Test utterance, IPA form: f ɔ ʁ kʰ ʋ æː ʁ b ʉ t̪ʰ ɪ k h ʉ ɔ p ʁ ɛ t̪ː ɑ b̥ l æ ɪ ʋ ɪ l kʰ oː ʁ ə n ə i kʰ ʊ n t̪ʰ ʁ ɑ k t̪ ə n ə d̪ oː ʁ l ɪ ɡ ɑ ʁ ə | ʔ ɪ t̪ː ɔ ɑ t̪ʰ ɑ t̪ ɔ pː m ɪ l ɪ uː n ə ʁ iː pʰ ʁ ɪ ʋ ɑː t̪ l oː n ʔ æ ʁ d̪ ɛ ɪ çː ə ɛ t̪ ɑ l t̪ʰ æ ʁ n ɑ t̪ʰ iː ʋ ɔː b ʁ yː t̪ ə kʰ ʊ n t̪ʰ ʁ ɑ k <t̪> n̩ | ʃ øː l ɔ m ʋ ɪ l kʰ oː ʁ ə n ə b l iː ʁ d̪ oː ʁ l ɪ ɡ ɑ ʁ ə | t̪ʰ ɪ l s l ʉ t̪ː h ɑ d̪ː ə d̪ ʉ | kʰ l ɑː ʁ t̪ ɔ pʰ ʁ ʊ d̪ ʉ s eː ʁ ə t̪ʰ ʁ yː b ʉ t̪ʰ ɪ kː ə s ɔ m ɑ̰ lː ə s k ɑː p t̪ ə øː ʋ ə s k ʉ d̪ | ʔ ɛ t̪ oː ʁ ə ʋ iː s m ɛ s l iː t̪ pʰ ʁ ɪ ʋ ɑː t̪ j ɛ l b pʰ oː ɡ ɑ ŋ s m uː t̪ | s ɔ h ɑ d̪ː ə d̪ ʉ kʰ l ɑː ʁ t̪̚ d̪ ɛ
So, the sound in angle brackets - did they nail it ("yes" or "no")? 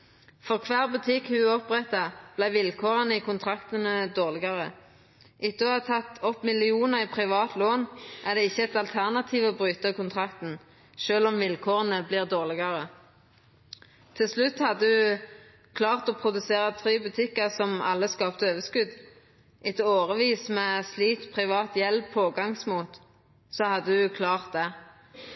yes